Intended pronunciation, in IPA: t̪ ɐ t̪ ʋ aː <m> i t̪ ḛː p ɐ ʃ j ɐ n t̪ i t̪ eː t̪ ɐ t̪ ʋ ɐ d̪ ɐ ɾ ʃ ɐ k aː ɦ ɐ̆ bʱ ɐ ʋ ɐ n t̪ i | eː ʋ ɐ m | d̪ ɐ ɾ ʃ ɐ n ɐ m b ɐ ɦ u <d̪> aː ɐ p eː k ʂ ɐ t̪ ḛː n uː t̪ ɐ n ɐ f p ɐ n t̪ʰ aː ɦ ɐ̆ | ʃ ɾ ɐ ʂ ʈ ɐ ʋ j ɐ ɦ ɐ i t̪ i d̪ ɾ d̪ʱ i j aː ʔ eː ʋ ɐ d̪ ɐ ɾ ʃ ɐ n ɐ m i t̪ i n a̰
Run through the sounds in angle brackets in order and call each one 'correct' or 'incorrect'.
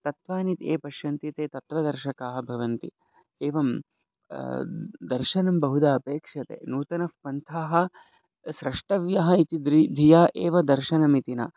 incorrect: n, correct

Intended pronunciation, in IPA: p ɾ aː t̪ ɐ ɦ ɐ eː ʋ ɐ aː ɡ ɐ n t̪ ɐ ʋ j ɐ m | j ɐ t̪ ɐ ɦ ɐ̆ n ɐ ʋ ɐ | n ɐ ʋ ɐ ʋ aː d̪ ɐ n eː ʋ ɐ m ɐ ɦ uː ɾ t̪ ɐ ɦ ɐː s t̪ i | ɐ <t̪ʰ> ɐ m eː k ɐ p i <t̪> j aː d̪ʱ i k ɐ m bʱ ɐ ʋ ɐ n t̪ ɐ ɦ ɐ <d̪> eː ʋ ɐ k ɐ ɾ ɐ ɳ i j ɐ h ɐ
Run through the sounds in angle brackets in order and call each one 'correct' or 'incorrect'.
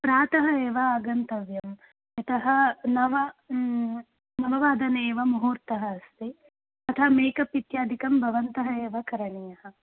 correct, correct, incorrect: none

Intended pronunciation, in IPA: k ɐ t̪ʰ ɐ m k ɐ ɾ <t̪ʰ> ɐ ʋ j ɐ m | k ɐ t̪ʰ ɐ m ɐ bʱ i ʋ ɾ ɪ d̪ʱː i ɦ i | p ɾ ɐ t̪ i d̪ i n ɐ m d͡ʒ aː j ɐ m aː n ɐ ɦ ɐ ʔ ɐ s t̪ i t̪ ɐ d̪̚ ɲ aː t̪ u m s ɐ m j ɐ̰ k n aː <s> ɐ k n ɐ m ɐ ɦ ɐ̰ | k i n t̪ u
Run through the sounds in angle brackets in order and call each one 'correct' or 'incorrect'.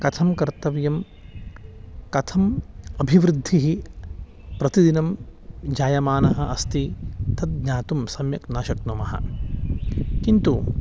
incorrect: t̪, incorrect: ʃ

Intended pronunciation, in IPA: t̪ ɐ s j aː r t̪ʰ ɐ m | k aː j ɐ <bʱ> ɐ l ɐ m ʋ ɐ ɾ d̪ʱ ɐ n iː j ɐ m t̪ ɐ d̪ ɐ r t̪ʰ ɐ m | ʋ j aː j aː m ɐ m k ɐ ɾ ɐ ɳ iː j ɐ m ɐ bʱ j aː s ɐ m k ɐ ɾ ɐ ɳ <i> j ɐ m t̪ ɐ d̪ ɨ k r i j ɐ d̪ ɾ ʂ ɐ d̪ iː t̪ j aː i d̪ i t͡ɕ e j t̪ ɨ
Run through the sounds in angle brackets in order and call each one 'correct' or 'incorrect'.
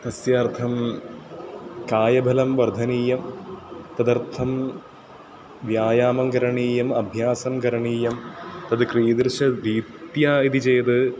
correct, incorrect: iː

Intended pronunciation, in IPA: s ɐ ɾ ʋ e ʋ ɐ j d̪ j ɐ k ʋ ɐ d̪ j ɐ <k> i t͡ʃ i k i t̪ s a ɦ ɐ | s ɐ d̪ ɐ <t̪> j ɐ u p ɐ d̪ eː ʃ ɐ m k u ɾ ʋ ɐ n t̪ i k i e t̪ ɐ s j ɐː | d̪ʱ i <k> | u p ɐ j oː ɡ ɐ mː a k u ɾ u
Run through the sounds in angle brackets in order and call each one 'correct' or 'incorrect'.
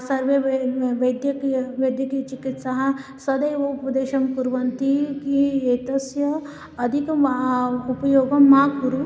correct, incorrect: none, correct

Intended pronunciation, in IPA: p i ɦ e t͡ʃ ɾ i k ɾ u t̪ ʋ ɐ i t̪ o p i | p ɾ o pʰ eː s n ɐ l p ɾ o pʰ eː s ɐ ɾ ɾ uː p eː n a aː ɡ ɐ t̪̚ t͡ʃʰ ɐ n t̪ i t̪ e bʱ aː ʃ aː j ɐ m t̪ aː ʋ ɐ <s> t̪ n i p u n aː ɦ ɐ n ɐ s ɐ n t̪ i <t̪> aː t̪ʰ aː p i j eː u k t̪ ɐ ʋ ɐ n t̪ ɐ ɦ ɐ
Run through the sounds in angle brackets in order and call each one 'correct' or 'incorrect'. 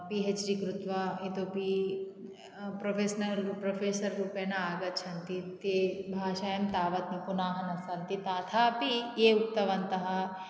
incorrect: none, correct

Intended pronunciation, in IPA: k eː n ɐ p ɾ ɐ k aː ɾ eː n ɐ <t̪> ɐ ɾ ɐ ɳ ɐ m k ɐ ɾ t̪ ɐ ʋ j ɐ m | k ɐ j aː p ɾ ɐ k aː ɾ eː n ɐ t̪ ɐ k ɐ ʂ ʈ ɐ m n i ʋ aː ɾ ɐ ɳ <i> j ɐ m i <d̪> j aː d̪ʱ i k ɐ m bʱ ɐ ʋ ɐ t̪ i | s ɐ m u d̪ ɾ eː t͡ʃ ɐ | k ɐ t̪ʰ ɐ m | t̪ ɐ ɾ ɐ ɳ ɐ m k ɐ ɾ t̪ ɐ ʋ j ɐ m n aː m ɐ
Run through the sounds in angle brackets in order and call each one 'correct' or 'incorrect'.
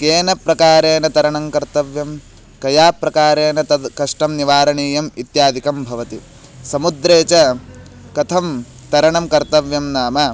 correct, incorrect: iː, incorrect: t̪

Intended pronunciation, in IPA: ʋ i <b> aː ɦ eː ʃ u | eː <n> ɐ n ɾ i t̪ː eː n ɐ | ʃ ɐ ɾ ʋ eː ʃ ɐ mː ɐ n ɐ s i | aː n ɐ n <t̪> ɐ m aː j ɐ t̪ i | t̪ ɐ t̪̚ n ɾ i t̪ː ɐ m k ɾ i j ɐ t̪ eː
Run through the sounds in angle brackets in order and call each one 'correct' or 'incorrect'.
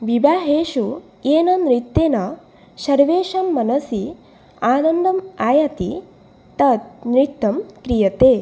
correct, correct, incorrect: d̪

